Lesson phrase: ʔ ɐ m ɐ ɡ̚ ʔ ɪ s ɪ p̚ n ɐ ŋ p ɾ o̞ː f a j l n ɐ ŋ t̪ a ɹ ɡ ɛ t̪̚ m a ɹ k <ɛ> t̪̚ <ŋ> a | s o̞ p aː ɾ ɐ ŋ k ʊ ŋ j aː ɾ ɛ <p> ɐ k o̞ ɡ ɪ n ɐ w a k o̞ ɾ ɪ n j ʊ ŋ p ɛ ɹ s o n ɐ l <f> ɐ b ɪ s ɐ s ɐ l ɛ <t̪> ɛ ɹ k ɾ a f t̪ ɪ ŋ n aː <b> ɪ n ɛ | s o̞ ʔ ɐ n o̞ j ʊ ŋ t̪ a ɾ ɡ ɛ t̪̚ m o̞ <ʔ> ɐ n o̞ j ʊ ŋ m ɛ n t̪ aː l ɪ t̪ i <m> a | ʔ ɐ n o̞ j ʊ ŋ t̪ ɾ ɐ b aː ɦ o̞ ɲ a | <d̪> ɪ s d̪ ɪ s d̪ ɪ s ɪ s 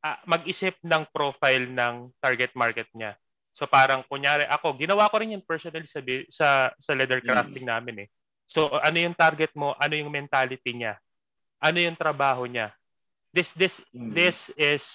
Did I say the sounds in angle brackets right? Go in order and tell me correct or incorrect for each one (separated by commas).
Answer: correct, incorrect, incorrect, incorrect, incorrect, incorrect, correct, incorrect, correct